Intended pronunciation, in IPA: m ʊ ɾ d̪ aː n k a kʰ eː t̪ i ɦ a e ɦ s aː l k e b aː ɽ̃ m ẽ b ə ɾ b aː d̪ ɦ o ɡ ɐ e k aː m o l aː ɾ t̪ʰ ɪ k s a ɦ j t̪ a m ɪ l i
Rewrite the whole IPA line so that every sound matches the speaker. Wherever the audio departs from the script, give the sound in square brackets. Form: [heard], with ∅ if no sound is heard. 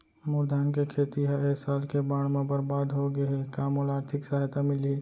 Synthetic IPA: m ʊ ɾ d̪ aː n k [e] kʰ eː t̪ i ɦ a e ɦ s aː l k e b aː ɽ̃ m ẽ b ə ɾ b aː d̪ ɦ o ɡ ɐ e k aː m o l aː ɾ t̪ʰ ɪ k s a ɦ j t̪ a m ɪ l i